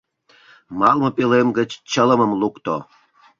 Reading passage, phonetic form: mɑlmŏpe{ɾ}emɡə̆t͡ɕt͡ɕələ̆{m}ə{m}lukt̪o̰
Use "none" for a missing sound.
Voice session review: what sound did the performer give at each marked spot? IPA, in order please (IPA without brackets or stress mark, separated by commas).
l, m, m